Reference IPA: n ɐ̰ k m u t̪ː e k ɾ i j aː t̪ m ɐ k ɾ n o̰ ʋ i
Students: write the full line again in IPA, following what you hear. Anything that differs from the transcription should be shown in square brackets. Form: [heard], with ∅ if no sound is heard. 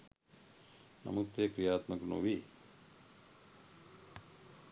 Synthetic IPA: n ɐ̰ [∅] m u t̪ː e k ɾ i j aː t̪ m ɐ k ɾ n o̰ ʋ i